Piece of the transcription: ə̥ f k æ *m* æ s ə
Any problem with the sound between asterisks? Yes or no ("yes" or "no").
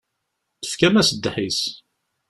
no